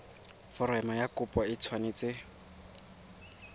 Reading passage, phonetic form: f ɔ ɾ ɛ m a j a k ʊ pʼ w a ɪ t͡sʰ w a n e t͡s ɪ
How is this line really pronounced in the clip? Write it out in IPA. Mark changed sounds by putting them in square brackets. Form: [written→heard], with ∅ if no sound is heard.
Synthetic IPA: f ɔ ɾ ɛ m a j a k ʊ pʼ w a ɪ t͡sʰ w a n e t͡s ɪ